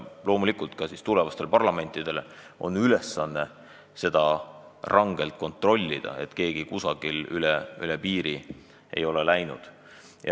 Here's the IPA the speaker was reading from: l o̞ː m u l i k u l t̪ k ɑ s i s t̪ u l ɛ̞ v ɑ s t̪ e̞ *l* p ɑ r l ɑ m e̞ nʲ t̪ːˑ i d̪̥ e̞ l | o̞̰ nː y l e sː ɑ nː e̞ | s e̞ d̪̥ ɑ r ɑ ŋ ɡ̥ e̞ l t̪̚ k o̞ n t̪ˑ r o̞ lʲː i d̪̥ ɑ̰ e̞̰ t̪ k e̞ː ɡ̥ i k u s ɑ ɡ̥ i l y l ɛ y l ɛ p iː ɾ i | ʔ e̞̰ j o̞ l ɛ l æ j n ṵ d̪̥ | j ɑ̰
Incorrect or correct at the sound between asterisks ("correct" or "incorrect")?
correct